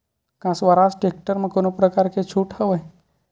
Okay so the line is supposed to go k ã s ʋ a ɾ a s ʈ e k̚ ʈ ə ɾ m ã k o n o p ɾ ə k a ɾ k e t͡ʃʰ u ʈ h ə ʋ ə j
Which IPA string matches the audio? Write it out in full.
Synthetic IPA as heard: k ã s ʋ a ɾ a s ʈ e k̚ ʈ ə ɾ m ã k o n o p ɾ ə k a ɾ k e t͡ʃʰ u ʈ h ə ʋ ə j